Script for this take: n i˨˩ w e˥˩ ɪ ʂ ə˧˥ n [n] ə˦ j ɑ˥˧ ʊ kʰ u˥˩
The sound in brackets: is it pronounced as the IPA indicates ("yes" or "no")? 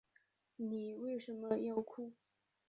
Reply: no